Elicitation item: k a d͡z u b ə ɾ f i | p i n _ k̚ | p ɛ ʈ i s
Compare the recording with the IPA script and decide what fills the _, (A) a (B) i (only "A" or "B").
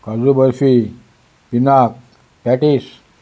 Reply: A